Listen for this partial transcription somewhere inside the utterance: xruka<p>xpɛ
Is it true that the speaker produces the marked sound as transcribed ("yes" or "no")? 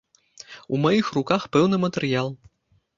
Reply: no